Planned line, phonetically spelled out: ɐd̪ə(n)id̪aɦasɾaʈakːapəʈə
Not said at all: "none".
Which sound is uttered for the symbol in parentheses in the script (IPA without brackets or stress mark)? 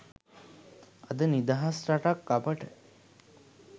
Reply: n